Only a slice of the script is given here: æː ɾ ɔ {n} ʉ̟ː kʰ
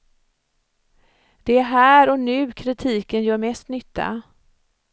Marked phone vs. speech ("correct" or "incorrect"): correct